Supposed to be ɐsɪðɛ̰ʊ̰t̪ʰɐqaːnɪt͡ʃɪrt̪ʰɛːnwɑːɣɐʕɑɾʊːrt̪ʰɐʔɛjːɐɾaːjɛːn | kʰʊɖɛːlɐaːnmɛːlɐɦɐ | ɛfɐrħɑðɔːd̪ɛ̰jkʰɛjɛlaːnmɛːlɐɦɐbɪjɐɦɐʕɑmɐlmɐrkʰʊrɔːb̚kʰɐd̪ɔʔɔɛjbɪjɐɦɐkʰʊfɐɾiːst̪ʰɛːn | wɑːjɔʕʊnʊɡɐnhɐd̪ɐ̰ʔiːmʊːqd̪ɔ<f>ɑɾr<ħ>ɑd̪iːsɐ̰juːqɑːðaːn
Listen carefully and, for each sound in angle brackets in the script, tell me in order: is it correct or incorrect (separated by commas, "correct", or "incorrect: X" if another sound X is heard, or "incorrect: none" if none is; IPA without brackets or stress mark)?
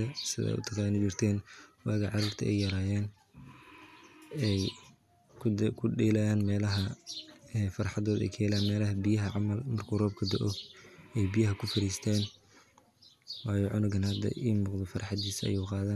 correct, correct